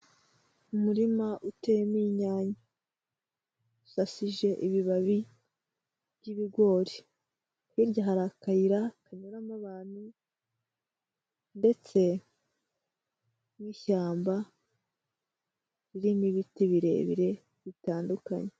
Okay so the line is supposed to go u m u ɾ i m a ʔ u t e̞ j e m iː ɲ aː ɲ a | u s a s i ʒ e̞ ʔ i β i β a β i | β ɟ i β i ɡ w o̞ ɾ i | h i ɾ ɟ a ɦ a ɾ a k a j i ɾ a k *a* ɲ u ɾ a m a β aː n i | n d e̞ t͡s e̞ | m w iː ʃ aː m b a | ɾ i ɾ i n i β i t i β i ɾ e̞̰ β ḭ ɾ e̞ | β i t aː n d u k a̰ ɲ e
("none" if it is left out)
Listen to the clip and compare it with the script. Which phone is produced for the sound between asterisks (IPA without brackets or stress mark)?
a